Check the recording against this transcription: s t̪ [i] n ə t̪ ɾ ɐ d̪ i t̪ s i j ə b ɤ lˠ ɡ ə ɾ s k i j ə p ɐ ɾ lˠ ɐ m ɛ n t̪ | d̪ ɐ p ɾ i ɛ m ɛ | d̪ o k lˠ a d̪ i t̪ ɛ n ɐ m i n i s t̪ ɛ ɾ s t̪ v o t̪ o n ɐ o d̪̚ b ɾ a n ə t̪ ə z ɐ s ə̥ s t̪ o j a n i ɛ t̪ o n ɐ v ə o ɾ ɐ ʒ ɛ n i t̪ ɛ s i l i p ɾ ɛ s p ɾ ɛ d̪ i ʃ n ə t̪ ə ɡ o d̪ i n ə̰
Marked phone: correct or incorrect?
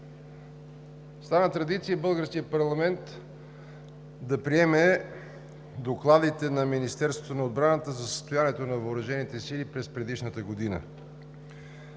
incorrect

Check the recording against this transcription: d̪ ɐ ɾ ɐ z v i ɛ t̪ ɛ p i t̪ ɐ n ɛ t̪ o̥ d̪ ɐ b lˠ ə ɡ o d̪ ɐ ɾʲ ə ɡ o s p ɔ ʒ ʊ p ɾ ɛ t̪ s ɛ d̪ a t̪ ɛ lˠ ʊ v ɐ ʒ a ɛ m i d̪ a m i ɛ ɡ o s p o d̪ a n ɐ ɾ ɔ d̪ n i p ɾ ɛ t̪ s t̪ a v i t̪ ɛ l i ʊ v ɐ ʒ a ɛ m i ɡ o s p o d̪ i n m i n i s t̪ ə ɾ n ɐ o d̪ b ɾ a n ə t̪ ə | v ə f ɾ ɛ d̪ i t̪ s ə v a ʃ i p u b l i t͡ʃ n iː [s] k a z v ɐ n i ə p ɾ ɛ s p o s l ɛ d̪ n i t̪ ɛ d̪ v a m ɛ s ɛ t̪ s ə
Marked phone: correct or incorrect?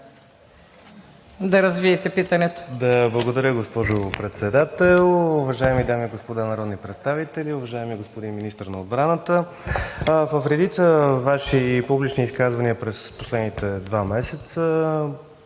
correct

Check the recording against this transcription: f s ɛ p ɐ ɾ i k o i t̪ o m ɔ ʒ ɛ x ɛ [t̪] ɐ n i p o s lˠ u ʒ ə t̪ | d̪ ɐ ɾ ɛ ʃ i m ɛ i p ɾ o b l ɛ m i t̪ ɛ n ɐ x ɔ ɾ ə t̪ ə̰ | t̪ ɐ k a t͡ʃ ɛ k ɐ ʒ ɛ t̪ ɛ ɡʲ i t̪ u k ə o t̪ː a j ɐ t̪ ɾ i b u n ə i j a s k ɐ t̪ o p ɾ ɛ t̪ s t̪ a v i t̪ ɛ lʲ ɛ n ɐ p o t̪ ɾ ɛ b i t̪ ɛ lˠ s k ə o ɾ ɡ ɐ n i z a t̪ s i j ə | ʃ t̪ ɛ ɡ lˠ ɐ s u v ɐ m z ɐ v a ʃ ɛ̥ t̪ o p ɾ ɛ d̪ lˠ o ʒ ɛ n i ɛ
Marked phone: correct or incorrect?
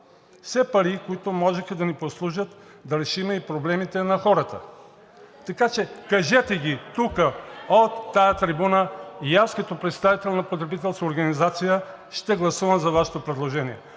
incorrect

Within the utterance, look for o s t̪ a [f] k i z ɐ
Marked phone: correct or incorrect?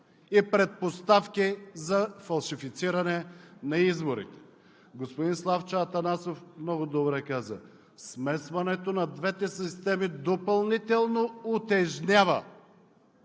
correct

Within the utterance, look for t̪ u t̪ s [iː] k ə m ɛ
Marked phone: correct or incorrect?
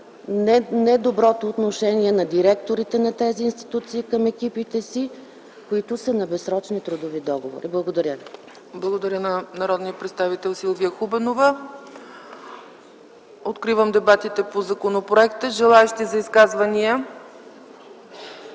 correct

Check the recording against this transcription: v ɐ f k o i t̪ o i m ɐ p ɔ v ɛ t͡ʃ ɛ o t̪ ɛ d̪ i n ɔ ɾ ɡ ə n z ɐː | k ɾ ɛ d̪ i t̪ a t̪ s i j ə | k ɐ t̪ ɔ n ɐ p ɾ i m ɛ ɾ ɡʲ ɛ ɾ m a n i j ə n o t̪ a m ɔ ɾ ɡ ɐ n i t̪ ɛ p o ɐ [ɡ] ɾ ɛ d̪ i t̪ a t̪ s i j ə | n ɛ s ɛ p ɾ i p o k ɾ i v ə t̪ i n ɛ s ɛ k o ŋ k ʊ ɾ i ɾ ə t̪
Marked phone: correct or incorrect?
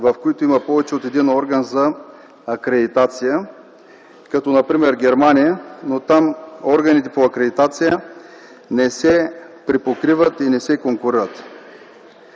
incorrect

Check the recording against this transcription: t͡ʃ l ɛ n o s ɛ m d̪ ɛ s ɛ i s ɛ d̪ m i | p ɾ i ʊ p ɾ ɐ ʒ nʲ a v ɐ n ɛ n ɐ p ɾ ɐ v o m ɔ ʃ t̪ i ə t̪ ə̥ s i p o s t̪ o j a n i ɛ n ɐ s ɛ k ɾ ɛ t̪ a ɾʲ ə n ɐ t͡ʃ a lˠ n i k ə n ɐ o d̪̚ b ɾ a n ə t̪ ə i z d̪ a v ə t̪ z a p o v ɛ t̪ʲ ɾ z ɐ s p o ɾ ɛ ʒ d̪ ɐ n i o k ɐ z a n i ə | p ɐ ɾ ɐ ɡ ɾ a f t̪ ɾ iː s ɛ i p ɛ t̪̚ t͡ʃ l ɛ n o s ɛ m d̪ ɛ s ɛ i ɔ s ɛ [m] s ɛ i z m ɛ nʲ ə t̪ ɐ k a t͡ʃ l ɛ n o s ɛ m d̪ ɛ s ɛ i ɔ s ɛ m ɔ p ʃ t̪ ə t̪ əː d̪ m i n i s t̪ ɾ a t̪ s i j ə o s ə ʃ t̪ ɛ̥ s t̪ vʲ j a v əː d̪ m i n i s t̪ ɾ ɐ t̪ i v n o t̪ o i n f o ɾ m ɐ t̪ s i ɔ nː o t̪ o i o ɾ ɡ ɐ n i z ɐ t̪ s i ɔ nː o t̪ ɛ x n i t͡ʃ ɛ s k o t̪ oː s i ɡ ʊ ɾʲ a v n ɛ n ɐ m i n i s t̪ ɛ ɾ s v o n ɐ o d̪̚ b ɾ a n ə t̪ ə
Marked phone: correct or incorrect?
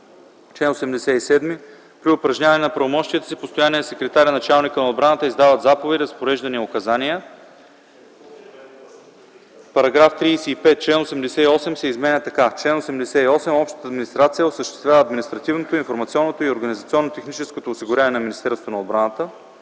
correct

